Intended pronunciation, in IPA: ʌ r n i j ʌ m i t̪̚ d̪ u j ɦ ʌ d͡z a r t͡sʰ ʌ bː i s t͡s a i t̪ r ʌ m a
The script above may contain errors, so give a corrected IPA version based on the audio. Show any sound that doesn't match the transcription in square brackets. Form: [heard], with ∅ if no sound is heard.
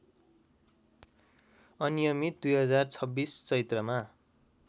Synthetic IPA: ʌ [∅] n i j ʌ m i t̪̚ d̪ u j ɦ ʌ d͡z a r t͡sʰ ʌ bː i s t͡s [ʌ] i t̪ r ʌ m a